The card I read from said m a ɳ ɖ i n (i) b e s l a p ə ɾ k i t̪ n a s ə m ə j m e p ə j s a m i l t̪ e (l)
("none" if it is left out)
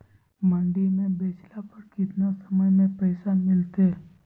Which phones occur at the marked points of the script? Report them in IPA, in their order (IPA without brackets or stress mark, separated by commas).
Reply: e, l